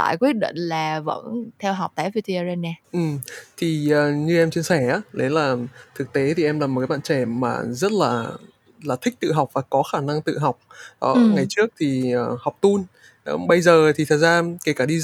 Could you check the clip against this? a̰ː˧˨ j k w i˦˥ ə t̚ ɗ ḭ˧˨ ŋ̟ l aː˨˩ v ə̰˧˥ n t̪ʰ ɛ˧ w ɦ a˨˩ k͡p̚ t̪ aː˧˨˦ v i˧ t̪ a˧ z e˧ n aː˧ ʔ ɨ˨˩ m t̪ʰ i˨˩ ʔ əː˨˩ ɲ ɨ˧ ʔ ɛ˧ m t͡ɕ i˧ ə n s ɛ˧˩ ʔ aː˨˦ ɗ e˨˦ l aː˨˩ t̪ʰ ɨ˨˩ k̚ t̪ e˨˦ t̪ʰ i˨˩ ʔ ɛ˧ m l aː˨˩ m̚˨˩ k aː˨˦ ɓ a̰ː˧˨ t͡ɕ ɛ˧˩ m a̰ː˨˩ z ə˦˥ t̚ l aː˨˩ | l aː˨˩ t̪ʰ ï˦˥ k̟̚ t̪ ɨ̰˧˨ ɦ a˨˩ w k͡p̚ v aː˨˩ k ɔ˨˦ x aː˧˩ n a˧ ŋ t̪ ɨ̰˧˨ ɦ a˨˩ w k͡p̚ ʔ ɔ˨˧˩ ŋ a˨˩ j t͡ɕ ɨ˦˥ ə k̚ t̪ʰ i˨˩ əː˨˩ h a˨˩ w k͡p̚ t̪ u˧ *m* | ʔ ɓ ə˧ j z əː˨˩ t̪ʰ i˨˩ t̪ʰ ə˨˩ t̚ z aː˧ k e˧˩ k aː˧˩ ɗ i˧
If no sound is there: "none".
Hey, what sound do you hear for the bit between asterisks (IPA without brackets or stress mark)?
n